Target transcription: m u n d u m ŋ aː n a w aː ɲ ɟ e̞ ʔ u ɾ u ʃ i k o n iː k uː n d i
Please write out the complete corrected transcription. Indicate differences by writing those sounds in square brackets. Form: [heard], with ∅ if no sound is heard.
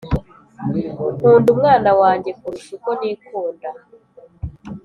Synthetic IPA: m [uː] n d u m ŋ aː n a w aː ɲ ɟ e̞ [k] u ɾ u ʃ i k o n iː k uː n d [a]